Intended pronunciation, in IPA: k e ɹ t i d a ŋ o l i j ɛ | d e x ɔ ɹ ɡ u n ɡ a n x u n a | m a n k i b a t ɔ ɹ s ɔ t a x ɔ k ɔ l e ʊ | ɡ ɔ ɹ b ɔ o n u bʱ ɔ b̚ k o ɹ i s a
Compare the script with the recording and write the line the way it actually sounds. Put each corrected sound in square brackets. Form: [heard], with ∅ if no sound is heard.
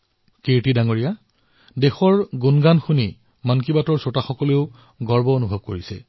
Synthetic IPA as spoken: k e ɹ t i d a ŋ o [ɹ] i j [a] | d e x ɔ ɹ ɡ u n ɡ a n x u n [i] | m a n k i b a t ɔ ɹ s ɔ t a x ɔ k ɔ l e ʊ | ɡ ɔ ɹ b ɔ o n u bʱ ɔ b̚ k o ɹ i s [ɛ]